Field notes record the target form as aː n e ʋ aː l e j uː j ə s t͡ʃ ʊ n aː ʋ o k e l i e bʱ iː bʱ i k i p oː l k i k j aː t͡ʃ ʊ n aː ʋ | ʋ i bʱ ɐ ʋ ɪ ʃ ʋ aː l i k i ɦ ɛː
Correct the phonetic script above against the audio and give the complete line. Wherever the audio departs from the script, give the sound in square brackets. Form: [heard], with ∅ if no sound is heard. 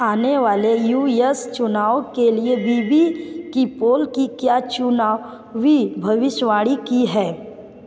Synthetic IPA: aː n e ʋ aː l e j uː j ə s t͡ʃ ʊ n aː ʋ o k e l i e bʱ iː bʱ i k i p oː l k i k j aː t͡ʃ ʊ n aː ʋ | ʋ i bʱ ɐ ʋ ɪ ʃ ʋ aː [ɽ] i k i ɦ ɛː

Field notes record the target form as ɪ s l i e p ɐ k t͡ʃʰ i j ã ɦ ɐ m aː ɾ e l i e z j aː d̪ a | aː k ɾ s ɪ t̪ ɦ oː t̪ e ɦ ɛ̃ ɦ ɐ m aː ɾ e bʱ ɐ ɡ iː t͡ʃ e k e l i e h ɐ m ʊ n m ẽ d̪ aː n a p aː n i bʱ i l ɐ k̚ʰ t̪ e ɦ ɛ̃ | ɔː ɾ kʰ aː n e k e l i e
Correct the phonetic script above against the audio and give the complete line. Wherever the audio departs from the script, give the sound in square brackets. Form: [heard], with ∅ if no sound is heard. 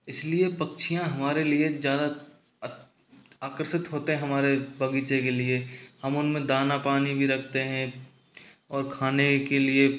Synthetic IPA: ɪ s l i e p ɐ k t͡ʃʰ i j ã ɦ ɐ m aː ɾ e l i e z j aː d̪ a | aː k ɾ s ɪ t̪ ɦ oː t̪ e ɦ ɛ̃ ɦ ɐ m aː ɾ e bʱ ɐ ɡ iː t͡ʃ e k e l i e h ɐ m ʊ n m ẽ d̪ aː n a p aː n i bʱ i [ɾ] ɐ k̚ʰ t̪ e ɦ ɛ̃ | ɔː ɾ kʰ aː n e k e l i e

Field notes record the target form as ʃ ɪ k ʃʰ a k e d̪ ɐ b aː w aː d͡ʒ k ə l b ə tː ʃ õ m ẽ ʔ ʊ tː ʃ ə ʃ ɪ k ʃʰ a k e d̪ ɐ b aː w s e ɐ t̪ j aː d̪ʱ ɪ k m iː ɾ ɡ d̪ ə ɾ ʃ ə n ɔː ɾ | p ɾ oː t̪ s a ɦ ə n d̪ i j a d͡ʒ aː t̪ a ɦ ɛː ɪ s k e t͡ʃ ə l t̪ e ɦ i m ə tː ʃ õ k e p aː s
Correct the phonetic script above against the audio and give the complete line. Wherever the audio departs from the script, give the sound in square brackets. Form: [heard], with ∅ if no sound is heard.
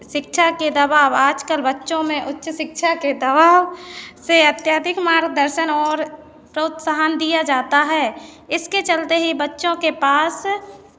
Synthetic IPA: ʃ ɪ k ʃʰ a k e d̪ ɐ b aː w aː d͡ʒ k ə l b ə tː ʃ õ m ẽ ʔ ʊ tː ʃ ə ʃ ɪ k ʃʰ a k e d̪ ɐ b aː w s e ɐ t̪ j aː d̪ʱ ɪ k m [aː] ɾ ɡ d̪ ə ɾ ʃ ə n ɔː ɾ | p ɾ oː t̪ s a ɦ ə n d̪ i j a d͡ʒ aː t̪ a ɦ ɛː ɪ s k e t͡ʃ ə l t̪ e ɦ i [b] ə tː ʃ õ k e p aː s

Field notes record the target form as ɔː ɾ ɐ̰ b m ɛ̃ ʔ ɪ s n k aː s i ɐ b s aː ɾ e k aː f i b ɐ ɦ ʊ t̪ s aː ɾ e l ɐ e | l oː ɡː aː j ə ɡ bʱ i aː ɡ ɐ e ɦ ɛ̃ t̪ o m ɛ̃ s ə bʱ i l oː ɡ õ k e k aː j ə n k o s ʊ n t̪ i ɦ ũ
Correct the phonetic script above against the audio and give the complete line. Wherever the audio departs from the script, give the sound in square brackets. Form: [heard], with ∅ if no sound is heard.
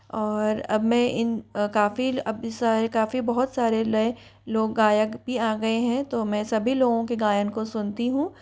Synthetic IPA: ɔː ɾ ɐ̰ b m ɛ̃ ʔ ɪ [∅] n k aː [f] i ɐ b s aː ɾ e k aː f i b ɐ ɦ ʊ t̪ s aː ɾ e l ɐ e | l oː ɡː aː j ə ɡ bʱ i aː ɡ ɐ e ɦ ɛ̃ t̪ o m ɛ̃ s [ɐ] bʱ i l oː ɡ õ k e [ɡ] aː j ə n k o s ʊ n t̪ i ɦ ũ

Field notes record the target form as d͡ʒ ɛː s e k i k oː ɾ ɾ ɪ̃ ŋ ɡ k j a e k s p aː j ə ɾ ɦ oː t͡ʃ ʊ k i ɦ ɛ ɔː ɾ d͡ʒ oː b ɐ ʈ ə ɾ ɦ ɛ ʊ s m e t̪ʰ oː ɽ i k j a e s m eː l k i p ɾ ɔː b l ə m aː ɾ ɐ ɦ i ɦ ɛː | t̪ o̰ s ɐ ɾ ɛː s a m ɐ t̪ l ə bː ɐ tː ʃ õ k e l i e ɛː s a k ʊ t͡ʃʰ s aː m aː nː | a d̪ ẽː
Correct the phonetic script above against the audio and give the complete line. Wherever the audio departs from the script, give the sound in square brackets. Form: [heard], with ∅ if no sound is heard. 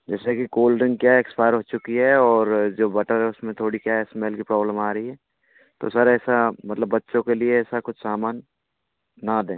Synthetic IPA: d͡ʒ ɛː s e k i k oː [l] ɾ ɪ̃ ŋ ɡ k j a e k s p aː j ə ɾ ɦ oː t͡ʃ ʊ k i ɦ ɛ ɔː ɾ d͡ʒ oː b ɐ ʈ ə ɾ ɦ ɛ ʊ s m [ẽ] t̪ʰ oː ɽ i k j a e s m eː l k i p ɾ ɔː b l ə m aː ɾ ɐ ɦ i ɦ ɛː | t̪ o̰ s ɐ ɾ ɛː s a m ɐ t̪ l ə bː ɐ tː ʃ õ k e l i e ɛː s a k ʊ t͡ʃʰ s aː m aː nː | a d̪ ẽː

